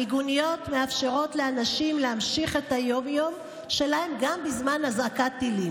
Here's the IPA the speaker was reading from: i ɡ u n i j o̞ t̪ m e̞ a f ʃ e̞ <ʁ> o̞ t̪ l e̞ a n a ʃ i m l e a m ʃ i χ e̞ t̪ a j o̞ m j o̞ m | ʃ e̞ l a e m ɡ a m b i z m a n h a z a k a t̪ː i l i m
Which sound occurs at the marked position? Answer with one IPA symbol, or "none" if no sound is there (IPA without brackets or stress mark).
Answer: ʁ